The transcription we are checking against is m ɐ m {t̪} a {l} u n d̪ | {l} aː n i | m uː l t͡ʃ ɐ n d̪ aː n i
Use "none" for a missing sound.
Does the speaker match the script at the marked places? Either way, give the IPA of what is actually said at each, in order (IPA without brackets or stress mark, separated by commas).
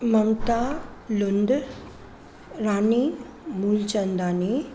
t̪, l, ɾ